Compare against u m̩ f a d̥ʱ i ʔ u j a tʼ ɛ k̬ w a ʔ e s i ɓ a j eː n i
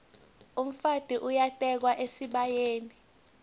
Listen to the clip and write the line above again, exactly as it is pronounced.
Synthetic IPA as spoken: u m̩ f a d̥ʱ i ʔ u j a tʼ ɛ k̬ w a ʔ e s i ɓ a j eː n i